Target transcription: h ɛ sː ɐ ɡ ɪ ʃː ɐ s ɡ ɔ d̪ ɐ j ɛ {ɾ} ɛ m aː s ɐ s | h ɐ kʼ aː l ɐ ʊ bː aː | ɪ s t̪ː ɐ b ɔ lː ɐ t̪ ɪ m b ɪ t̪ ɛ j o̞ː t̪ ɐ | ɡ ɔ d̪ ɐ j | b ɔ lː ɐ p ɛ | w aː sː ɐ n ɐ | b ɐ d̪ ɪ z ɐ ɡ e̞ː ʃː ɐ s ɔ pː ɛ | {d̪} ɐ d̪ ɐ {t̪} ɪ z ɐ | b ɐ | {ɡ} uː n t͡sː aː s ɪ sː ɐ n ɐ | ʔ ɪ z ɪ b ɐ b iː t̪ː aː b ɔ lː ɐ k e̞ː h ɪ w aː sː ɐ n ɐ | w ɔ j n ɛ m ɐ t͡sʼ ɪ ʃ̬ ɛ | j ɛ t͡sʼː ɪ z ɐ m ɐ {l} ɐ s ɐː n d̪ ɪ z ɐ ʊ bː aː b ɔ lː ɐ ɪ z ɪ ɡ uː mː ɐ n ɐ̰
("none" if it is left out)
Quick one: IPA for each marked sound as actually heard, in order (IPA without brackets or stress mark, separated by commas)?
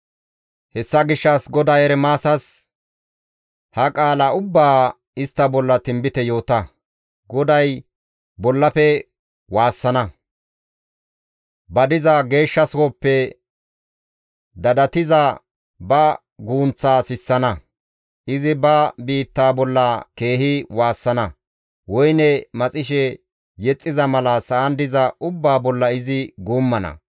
ɾ, d̪, t̪, ɡ, l